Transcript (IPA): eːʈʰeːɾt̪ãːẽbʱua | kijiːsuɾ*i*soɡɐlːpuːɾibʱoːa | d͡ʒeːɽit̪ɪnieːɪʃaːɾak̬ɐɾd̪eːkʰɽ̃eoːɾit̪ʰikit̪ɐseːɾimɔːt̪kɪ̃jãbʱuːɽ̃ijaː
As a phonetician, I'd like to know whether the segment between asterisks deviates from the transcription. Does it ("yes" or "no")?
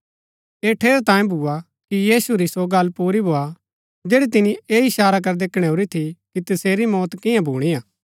no